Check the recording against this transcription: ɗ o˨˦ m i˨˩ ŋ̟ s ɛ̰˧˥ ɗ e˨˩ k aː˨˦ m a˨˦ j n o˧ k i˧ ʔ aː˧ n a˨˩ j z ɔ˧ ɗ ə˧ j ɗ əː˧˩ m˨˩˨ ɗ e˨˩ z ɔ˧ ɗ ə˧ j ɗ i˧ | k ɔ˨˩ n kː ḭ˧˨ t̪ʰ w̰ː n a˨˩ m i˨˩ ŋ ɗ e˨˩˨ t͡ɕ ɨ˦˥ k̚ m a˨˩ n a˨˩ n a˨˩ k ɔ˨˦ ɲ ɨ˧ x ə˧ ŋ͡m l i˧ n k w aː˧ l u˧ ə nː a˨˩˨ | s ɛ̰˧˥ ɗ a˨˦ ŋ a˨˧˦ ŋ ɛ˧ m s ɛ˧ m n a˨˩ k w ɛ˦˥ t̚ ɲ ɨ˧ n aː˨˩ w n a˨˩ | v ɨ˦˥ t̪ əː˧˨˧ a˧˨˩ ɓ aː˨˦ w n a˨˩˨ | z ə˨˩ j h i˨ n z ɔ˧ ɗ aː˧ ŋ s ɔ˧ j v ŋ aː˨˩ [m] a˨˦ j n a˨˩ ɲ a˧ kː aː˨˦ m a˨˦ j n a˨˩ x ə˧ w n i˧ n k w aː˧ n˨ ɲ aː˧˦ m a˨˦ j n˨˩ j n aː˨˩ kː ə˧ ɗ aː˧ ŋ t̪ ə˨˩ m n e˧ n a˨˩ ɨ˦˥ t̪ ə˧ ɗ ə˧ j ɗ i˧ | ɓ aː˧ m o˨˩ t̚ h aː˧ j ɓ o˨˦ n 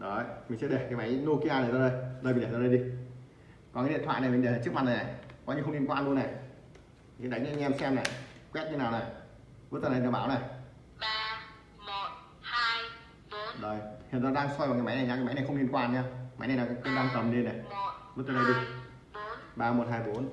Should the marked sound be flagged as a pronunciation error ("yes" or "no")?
no